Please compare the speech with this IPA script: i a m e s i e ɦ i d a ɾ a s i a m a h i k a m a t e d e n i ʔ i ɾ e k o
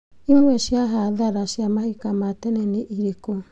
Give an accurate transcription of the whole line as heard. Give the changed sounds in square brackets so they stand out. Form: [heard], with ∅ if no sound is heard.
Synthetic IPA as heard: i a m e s i [a] ɦ [a] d a ɾ a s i a m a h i k a m a t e [n] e n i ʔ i ɾ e k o